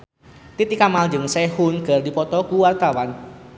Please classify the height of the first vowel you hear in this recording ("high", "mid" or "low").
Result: high